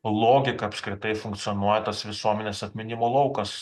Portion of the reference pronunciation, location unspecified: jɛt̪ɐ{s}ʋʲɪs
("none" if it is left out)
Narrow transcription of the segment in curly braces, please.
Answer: s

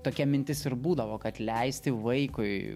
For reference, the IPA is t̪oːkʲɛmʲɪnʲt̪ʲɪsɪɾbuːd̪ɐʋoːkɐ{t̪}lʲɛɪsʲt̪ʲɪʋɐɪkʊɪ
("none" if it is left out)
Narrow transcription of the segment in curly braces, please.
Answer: t̪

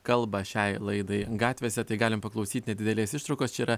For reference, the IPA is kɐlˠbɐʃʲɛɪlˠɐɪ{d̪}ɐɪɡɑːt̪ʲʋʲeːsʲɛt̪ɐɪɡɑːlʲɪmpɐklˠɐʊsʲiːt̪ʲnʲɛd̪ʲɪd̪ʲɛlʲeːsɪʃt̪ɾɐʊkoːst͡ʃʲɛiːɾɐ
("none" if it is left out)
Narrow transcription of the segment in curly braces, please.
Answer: d̪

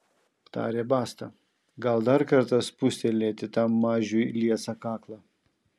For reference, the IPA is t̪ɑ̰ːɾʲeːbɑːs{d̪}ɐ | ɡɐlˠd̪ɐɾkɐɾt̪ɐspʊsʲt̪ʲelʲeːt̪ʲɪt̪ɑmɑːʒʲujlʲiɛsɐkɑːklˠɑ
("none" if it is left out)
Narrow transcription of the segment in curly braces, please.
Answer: t̪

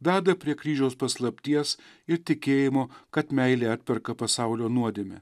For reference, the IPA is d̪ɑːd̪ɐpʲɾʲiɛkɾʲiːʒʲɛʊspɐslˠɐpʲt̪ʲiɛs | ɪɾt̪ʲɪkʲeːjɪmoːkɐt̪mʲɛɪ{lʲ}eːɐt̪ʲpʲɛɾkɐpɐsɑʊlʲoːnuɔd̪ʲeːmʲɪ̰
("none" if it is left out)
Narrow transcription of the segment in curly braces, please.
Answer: lʲ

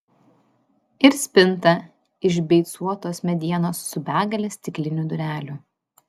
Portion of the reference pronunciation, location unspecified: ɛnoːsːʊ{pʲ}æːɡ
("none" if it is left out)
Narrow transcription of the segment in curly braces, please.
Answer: bʲ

